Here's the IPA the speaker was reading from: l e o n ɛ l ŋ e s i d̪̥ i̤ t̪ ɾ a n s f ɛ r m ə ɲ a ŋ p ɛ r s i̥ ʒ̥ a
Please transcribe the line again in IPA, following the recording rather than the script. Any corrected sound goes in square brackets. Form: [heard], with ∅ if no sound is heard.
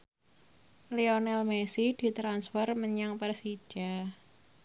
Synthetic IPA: l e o n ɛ l [m] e s i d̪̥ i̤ t̪ ɾ a n s f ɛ r m ə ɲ a ŋ p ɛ r s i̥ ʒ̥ a